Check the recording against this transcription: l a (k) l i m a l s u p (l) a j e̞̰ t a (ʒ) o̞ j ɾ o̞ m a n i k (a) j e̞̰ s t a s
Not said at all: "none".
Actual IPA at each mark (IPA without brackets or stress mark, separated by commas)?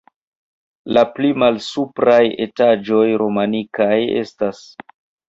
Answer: p, ɾ, d͡ʒ, a